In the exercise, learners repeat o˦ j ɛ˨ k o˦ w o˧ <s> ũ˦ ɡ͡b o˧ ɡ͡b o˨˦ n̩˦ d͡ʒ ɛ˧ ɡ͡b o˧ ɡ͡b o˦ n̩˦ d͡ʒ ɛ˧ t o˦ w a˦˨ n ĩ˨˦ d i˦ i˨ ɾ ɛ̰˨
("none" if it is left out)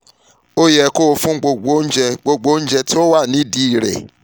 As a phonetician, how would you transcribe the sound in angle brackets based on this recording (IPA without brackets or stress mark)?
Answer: f